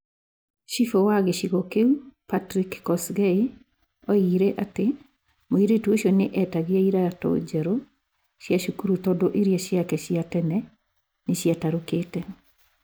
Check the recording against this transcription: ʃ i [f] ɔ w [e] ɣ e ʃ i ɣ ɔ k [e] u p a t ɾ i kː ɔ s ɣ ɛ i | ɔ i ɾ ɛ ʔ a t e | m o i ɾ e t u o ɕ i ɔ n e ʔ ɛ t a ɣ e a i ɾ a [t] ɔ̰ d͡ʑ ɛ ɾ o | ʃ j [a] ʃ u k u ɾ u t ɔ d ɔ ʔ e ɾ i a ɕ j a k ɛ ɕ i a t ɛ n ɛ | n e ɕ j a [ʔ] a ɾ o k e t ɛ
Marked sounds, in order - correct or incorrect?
correct, incorrect, correct, correct, correct, incorrect

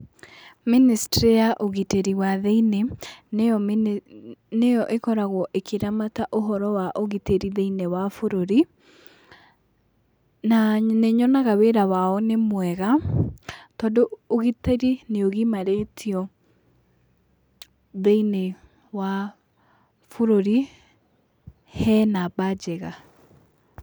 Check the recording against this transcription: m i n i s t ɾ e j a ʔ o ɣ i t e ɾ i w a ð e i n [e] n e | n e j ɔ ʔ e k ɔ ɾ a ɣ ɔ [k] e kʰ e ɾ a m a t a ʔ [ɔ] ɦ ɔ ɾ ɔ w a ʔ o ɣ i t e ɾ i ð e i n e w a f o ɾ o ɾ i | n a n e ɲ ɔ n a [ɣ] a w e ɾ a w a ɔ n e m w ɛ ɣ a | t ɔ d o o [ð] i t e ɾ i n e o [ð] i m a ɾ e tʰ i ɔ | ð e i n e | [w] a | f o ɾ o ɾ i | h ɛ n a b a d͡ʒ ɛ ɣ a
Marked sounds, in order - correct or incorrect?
correct, incorrect, incorrect, correct, incorrect, incorrect, correct

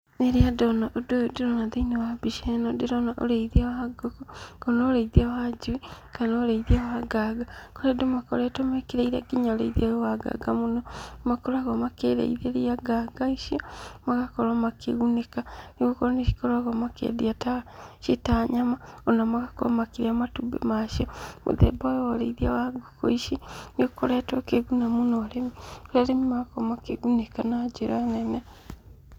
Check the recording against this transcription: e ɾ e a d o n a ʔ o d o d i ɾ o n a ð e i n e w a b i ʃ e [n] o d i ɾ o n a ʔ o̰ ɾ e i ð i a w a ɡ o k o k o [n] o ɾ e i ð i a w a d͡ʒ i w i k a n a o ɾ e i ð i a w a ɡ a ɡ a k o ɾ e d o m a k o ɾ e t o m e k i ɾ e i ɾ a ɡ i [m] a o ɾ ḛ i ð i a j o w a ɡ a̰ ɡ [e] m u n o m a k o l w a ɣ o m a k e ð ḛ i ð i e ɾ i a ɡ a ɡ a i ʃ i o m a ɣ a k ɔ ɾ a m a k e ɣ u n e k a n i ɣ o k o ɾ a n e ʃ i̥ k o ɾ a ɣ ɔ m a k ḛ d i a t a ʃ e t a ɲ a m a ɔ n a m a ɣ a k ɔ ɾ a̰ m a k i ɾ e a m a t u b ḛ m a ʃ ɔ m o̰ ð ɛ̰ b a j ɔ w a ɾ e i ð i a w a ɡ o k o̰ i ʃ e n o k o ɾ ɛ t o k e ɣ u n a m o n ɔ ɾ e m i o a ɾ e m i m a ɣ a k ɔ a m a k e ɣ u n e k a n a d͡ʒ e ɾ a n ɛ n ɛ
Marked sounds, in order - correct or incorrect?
correct, correct, incorrect, incorrect

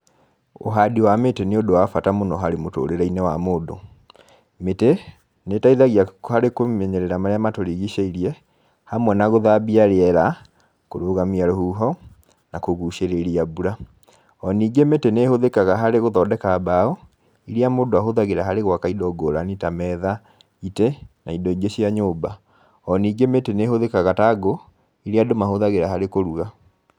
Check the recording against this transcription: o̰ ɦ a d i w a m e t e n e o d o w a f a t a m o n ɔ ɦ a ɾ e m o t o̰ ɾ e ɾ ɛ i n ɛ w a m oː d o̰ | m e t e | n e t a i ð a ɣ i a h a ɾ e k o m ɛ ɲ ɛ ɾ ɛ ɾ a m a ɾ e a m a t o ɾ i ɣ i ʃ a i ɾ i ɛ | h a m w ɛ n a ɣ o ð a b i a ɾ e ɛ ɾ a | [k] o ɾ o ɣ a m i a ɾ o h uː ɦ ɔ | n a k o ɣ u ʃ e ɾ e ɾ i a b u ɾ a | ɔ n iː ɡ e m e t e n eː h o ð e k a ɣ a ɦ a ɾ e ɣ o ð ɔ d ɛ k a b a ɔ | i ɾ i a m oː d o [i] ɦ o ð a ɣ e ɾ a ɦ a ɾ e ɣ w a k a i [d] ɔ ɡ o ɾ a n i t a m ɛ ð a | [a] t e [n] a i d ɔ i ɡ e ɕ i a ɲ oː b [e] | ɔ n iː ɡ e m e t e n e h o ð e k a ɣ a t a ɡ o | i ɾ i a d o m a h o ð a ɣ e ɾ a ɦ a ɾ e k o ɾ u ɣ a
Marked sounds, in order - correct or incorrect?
correct, incorrect, correct, incorrect, correct, incorrect

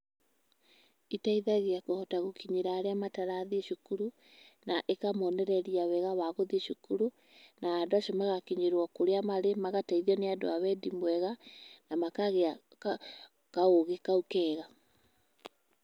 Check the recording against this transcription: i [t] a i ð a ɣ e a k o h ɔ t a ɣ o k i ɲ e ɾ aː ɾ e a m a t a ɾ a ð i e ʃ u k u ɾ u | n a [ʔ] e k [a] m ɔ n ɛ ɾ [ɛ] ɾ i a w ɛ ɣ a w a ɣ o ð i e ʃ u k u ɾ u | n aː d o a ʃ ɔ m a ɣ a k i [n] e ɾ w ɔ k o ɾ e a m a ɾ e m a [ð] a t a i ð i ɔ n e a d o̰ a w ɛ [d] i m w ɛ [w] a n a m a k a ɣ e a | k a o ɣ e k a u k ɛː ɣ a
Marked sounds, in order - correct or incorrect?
correct, correct, correct, correct, incorrect, incorrect, correct, incorrect

